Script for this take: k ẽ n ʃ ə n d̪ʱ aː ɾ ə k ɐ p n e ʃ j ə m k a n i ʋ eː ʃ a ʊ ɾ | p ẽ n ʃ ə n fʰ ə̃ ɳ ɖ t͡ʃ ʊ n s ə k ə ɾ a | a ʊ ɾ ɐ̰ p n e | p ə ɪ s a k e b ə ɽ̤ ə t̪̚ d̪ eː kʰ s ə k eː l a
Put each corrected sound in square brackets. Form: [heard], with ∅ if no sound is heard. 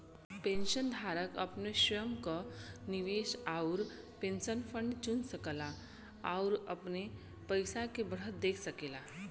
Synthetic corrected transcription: [p] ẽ n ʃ ə n d̪ʱ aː ɾ ə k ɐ p n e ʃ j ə m k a n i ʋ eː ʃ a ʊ ɾ | p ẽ n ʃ ə n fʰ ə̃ ɳ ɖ t͡ʃ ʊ n s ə k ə [l] a | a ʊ ɾ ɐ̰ p n e | p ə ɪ s a k e b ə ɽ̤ ə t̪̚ d̪ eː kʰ s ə k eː l a